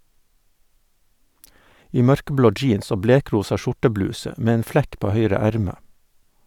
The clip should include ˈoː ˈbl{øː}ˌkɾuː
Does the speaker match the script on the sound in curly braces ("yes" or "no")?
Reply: no